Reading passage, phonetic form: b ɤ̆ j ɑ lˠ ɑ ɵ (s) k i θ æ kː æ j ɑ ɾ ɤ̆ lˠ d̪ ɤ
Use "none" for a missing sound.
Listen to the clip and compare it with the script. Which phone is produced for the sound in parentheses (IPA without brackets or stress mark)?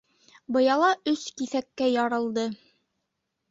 s